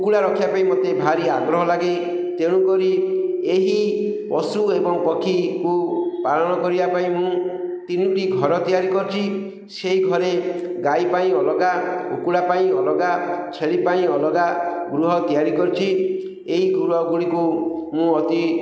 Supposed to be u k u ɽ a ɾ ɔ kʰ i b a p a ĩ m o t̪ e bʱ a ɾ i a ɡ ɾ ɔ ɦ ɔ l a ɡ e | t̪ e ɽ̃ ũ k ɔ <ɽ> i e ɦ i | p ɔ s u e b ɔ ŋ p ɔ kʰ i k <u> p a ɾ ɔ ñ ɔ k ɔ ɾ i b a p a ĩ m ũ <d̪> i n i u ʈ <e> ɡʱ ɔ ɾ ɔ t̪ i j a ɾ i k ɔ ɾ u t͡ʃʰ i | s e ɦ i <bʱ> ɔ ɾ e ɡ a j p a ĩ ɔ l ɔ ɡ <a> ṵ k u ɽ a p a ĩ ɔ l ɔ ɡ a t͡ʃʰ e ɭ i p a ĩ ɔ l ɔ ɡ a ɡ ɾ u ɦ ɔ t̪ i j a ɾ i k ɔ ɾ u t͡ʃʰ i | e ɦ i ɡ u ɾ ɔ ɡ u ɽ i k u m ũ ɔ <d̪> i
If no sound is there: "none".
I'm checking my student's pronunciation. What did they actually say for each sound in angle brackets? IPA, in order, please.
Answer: ɾ, u, t̪, i, ɡʱ, a, t̪

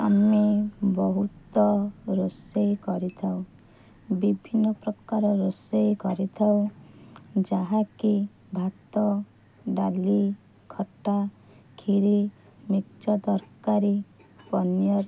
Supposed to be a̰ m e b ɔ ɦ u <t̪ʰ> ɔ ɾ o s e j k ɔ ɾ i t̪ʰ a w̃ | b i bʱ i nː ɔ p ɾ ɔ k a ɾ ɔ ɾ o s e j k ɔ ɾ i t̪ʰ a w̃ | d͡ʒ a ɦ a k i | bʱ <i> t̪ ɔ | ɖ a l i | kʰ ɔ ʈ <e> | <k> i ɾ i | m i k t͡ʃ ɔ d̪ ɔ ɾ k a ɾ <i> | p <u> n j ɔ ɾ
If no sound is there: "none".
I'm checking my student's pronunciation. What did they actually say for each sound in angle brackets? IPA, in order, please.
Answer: t̪, a, a, kʰ, i, ɔ

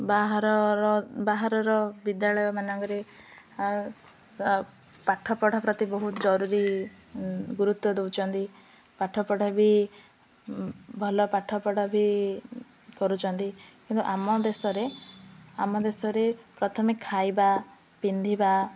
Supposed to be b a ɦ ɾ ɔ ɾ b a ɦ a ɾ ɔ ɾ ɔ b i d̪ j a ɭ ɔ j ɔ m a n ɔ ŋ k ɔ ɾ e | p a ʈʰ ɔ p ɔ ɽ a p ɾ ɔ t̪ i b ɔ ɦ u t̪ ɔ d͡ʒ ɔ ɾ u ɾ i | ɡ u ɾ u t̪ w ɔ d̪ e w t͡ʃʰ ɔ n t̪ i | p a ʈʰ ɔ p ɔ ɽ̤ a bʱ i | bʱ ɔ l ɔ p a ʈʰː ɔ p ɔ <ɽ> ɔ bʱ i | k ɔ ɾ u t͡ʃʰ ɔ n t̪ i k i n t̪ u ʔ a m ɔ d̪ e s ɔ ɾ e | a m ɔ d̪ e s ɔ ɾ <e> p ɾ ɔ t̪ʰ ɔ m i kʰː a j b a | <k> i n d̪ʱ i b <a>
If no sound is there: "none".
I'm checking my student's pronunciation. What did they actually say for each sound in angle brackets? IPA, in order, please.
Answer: ɽ, e, p, a

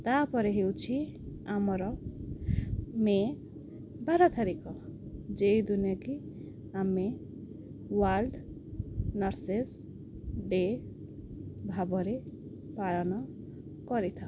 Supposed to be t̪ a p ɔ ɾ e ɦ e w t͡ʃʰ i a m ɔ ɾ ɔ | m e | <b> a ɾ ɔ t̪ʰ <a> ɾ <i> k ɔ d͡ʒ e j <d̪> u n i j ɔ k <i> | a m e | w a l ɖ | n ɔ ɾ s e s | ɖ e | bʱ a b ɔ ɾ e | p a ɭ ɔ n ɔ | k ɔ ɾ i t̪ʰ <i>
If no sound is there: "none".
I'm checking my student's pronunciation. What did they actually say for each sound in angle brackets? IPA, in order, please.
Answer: b, a, i, d̪, i, a

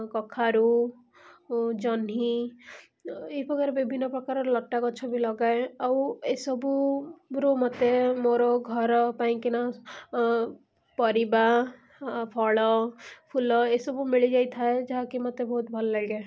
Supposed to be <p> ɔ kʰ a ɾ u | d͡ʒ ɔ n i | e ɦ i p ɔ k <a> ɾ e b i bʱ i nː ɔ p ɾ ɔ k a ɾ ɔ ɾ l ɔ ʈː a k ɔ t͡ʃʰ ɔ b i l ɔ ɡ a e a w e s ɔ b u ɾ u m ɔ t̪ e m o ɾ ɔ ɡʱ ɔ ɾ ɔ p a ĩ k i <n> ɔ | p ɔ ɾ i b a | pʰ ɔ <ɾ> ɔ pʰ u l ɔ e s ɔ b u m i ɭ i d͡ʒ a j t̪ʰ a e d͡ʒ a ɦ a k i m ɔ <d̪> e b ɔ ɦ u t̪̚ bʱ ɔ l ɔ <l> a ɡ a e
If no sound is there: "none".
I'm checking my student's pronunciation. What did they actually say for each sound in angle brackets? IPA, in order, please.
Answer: k, a, n, ɭ, t̪, l

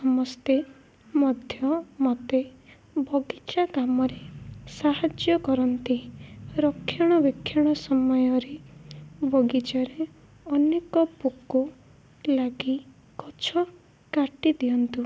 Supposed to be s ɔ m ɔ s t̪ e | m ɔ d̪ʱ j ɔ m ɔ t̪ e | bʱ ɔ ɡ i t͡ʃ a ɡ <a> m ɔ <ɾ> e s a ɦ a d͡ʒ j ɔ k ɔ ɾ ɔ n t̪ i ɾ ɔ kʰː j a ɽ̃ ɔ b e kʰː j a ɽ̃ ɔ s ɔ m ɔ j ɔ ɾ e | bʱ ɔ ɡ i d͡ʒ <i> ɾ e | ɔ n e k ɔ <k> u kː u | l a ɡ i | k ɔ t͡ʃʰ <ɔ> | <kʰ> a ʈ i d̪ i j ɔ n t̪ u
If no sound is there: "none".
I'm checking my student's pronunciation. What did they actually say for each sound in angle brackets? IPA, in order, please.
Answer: a, ɾ, a, p, ɔ, k

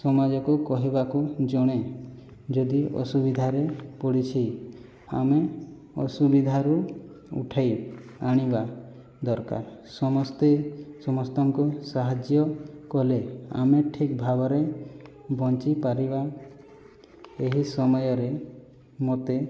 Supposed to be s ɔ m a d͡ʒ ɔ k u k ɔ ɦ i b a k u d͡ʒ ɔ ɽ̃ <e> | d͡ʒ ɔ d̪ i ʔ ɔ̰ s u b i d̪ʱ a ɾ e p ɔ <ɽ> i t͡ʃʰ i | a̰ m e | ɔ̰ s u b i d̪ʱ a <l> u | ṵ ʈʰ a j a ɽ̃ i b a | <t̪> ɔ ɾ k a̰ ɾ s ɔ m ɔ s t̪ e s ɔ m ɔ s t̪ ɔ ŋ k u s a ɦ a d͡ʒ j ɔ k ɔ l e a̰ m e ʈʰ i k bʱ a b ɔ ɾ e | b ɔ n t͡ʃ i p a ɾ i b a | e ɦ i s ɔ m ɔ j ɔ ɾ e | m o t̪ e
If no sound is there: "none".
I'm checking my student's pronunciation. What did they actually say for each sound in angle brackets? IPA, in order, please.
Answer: e, ɽ, ɾ, d̪

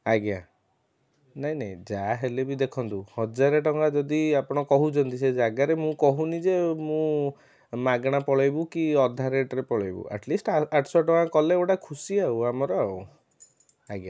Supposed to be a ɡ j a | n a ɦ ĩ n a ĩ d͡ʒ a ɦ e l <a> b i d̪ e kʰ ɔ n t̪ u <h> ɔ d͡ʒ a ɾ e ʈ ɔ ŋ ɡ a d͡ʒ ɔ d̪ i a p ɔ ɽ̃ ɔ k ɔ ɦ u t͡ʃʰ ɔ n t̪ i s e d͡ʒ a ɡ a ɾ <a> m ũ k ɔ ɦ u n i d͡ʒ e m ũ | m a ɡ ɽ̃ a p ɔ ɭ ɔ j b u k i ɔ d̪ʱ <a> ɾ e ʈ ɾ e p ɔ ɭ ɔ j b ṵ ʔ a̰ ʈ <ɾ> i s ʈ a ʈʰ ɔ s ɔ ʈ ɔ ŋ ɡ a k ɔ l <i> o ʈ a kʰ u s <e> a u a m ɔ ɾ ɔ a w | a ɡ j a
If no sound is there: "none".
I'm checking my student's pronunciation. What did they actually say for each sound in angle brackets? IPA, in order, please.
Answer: e, h, e, a, l, e, i

